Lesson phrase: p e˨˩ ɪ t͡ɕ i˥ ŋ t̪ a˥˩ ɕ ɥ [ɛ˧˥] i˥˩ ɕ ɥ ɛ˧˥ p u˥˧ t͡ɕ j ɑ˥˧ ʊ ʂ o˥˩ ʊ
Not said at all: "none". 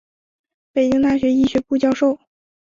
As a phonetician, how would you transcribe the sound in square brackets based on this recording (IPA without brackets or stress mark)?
ɛ˧˥